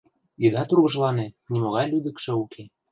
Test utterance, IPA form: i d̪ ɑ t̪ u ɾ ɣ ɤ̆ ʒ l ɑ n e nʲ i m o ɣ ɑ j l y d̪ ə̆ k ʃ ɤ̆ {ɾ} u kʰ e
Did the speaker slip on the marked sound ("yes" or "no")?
yes